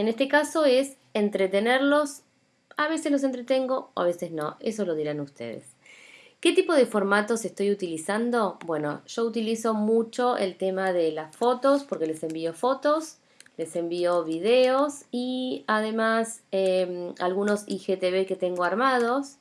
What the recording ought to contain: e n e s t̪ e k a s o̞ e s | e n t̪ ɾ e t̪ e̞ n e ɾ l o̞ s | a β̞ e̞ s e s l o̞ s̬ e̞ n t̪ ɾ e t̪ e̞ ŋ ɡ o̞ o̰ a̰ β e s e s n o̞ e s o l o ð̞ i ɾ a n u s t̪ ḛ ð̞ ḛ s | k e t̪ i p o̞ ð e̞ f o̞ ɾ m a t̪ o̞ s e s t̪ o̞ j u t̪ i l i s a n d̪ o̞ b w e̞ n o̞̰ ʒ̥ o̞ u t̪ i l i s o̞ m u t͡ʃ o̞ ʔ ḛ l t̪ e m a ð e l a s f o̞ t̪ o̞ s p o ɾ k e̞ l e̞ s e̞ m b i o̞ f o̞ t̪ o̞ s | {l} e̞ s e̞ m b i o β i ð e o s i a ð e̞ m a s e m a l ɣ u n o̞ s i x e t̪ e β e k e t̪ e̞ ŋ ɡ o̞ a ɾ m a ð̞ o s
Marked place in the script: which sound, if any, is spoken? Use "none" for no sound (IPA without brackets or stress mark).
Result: l